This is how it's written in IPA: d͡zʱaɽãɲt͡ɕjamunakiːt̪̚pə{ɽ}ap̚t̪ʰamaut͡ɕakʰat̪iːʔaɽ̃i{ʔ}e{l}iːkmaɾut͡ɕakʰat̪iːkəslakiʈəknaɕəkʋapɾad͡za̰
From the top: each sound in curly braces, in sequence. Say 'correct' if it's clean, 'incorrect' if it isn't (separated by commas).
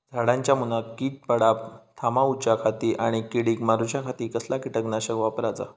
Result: correct, incorrect, incorrect